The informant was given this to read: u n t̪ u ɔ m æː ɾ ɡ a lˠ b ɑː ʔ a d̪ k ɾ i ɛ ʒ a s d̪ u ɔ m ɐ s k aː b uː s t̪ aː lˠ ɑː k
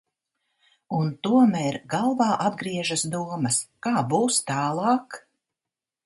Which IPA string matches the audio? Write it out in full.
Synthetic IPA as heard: u n t̪ u ɔ m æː ɾ ɡ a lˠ v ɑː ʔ a d̪ ɡ ɾ i ɛ ʒ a s d̪ u ɔ m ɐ s k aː b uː s t̪ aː lˠ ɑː k